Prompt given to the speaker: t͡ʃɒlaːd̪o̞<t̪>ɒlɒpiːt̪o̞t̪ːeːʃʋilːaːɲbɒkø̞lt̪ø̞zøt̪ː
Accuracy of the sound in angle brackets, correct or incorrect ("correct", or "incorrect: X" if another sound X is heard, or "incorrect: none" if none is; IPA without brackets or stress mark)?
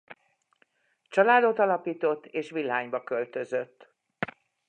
correct